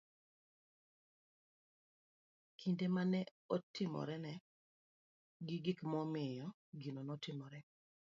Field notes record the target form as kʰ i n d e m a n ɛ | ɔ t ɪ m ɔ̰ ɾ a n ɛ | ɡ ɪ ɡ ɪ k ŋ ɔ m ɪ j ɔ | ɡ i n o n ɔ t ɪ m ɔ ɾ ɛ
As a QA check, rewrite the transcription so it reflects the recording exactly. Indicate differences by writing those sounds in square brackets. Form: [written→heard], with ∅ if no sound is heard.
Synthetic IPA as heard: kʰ i n d e m a n ɛ | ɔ t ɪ m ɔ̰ ɾ [a→ɛ] n ɛ | ɡ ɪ ɡ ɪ k [ŋ→m] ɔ m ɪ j ɔ | ɡ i n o n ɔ t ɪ m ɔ ɾ ɛ